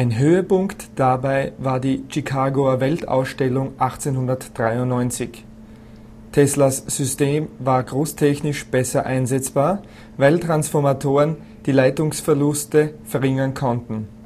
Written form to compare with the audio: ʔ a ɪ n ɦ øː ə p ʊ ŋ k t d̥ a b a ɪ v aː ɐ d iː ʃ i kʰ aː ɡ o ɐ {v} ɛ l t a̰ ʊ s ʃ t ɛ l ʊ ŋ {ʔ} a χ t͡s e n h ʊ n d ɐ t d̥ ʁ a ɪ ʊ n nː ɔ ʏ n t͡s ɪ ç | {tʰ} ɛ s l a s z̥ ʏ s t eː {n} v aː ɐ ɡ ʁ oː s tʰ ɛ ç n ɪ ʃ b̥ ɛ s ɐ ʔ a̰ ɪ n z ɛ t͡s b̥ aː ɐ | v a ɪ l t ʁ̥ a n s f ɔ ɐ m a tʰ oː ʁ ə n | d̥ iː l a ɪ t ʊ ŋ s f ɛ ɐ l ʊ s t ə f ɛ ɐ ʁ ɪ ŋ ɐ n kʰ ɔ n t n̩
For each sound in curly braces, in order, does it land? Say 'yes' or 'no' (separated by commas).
yes, yes, yes, no